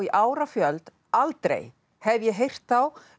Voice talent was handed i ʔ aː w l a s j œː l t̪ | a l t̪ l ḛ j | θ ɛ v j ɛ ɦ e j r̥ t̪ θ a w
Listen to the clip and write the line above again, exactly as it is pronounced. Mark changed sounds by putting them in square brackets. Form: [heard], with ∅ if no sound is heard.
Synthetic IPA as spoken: i ʔ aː w [ɾ] a [f] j [œ] l t̪ | a l t̪ [ɾ] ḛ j | [h] ɛ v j ɛ ɦ e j r̥ t̪ θ a w